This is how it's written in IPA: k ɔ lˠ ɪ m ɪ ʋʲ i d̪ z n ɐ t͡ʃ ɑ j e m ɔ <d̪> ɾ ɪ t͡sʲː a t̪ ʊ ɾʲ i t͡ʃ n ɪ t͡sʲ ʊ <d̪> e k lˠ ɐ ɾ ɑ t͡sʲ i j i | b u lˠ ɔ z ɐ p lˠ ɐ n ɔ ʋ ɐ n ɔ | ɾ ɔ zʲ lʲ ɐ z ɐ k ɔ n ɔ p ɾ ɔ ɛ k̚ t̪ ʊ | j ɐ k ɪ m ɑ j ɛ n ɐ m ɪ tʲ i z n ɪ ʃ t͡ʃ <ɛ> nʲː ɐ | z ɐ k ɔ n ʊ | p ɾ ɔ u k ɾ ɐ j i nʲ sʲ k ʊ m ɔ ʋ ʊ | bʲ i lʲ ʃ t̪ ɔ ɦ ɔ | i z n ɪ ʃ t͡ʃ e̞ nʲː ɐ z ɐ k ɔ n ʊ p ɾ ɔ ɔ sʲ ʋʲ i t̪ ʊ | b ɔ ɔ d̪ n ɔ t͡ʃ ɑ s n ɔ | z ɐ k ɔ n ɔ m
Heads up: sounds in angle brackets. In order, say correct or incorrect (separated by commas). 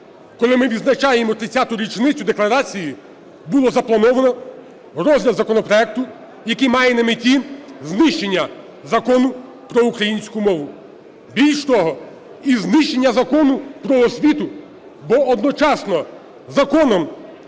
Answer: incorrect, correct, incorrect